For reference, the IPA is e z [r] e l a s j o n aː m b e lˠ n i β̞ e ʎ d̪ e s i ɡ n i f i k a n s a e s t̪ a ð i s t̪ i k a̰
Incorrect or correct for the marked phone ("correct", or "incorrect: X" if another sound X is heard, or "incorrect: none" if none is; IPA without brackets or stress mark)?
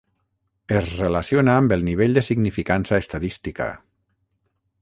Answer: correct